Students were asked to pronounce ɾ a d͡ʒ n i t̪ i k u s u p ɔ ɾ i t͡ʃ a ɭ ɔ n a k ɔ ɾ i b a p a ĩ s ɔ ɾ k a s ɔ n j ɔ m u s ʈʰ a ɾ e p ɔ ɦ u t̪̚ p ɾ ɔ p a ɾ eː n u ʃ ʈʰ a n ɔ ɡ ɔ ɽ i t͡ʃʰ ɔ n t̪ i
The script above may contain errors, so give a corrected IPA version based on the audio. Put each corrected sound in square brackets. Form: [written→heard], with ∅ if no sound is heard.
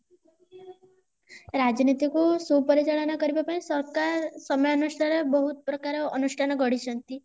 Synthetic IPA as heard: ɾ a d͡ʒ n i t̪ i k u s u p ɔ ɾ i t͡ʃ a ɭ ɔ n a k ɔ ɾ i b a p a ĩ s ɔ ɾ k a s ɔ [n→m] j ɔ [m→n] u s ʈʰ a ɾ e [p→b] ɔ ɦ u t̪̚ p ɾ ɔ [p→k] a ɾ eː n u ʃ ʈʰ a n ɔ ɡ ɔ ɽ i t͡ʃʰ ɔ n t̪ i